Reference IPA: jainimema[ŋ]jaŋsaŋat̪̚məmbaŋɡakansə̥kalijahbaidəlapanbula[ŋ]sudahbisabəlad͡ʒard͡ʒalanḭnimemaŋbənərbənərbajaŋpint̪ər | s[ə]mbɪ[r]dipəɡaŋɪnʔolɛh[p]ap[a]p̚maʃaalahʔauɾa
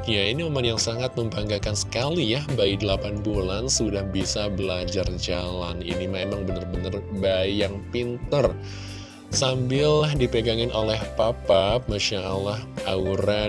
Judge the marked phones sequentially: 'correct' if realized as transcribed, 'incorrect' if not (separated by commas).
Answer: incorrect, incorrect, incorrect, incorrect, correct, correct